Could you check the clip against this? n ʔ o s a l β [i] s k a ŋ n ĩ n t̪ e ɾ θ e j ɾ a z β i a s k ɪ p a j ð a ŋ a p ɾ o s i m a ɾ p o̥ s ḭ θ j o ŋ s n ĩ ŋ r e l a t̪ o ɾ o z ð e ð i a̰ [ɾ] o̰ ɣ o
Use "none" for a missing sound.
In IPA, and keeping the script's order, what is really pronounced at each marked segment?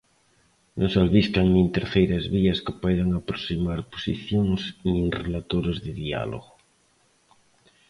i, l

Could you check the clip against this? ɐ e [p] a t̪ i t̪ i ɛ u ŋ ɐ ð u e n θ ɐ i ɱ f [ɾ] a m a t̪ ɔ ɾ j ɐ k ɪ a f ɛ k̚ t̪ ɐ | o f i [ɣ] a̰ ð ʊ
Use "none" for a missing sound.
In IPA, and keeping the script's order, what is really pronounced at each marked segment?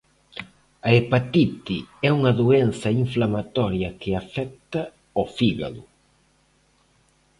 p, l, ɣ

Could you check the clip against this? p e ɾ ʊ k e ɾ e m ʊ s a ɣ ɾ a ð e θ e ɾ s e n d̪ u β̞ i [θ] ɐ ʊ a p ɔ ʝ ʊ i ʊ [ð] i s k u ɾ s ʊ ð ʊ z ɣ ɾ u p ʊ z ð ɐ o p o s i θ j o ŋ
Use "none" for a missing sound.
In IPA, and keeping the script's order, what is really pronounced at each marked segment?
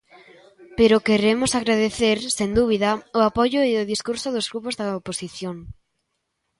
ð, ð

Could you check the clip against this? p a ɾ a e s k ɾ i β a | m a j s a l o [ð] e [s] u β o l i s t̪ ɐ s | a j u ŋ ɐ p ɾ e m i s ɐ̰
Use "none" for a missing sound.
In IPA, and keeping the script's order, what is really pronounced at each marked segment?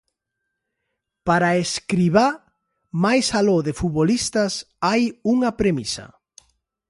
ð, f

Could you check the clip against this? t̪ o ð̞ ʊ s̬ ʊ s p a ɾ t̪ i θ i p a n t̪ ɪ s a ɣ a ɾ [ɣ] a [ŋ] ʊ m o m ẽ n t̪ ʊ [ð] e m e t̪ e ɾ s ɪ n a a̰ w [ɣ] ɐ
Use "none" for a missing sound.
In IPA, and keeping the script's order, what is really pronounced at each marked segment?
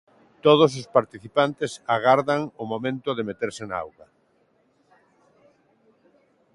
ð, ŋ, ð, ɣ

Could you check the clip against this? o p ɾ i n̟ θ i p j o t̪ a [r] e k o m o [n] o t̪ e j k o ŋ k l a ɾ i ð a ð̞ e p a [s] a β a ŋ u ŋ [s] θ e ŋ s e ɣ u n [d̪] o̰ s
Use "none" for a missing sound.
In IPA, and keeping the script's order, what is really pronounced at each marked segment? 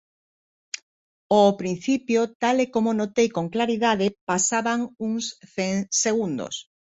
l, n, s, s, d̪

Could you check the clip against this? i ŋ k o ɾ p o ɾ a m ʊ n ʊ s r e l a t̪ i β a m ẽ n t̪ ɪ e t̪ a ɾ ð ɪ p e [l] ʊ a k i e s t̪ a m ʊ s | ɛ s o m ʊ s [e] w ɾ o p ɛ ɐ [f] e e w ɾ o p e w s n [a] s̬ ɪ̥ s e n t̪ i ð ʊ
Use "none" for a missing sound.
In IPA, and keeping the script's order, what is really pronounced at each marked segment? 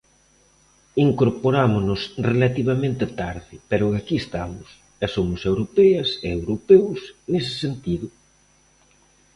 ɾ, e, s, e

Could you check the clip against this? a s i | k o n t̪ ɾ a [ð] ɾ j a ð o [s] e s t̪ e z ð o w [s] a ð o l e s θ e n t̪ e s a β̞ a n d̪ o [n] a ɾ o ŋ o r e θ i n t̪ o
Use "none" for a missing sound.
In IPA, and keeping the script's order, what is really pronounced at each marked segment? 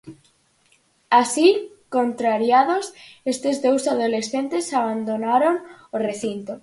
none, s, s, n

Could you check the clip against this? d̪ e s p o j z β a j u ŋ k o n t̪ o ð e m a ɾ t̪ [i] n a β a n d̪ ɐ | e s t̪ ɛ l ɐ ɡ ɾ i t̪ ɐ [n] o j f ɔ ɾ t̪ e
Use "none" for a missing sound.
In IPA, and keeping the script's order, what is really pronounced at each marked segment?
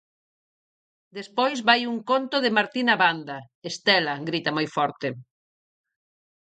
i, m

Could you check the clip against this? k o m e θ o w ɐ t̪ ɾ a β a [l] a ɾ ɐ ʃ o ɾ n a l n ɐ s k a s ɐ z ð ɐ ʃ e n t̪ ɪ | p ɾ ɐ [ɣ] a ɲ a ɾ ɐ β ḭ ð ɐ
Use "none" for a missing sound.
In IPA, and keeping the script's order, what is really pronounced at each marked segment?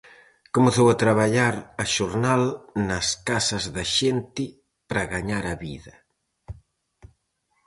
ʎ, ɣ

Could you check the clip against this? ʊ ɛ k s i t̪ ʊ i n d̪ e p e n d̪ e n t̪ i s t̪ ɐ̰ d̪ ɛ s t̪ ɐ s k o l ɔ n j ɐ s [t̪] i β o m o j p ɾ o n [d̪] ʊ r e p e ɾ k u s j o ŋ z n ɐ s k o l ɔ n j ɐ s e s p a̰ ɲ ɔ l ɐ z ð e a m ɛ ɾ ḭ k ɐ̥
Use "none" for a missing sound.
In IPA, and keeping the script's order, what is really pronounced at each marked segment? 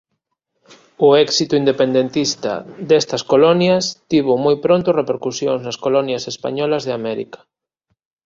t̪, t̪

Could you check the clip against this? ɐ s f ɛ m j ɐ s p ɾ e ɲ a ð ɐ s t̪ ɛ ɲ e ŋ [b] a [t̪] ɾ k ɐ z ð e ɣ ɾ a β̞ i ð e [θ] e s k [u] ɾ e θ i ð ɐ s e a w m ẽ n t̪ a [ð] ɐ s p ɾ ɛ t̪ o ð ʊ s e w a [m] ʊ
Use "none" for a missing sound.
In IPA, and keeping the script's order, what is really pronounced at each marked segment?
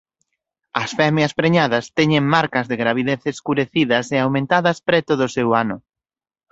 m, none, θ, u, ð, n

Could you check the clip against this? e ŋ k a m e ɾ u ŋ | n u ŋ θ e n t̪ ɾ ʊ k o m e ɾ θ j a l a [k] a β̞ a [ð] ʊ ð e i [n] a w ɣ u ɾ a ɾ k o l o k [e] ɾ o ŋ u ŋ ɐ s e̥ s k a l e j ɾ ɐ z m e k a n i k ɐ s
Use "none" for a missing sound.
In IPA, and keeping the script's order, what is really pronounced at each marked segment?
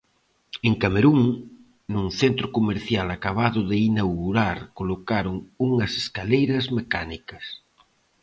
k, ð, n, a

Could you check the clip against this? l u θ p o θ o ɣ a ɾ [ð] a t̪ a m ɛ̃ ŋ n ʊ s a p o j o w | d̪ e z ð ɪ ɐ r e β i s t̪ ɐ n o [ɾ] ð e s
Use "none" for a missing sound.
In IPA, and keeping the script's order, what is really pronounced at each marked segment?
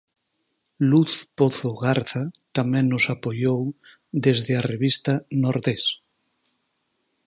θ, ɾ

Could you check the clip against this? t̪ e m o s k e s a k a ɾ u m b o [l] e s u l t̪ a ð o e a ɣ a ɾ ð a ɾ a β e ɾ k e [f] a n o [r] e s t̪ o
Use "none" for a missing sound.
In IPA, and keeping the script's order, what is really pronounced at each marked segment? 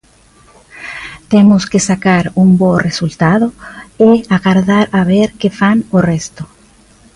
r, f, r

